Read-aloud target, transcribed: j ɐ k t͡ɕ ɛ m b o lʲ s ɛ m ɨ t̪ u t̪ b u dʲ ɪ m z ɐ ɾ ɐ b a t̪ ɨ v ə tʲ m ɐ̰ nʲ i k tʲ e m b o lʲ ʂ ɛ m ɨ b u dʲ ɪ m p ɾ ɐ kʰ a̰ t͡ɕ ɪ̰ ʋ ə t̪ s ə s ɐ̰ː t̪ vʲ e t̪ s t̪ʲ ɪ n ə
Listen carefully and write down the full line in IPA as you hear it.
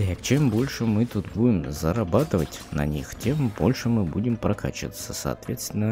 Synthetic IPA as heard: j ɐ k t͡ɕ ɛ m b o lʲ ʂ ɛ m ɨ t̪ u t̪ b u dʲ ɪ m z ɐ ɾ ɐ b a t̪ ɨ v ə tʲ n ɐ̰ nʲ i x tʲ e m b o lʲ ʂ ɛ m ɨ b u dʲ ɪ m p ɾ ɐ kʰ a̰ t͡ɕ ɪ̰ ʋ ə t̪ s ə s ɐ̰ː t̪ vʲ e t̪ s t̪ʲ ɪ n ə

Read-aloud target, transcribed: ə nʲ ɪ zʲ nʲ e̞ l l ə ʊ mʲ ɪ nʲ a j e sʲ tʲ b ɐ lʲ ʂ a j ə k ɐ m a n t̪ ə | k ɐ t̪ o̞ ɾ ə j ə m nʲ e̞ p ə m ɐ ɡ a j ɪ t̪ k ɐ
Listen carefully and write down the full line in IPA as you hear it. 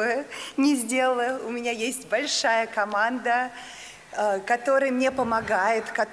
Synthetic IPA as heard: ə nʲ ɪ zʲ dʲ e̞ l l ə ʊ mʲ ɪ nʲ a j e sʲ tʲ b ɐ lʲ ʂ a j ə k ɐ m a n d̪ ə | k ɐ t̪ o̞ ɾ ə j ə m nʲ e̞ p ə m ɐ ɡ a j ɪ t̪ k ɐ

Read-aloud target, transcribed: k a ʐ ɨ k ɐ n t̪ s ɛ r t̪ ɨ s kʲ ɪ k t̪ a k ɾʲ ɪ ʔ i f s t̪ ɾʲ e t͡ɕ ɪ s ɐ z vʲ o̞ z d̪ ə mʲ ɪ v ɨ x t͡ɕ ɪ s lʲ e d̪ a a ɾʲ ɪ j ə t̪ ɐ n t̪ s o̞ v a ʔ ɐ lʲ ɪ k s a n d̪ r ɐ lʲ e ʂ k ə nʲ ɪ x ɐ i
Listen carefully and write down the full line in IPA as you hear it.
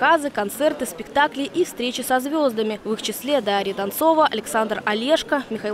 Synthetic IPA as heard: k a z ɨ k ɐ n t̪ s ɛ r t̪ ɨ s pʲ ɪ k t̪ a k lʲ ɪ ʔ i f s t̪ ɾʲ e t͡ɕ ɪ s ɐ z vʲ o̞ z d̪ ə mʲ ɪ v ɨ x t͡ɕ ɪ s lʲ e d̪ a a ɾʲ ɪ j ə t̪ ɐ n t̪ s o̞ v ə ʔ ɐ lʲ ɪ k s a n d̪ r ɐ lʲ e ʂ k ə mʲ ɪ x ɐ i

